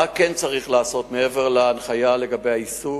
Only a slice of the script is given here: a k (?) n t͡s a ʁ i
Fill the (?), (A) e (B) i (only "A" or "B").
A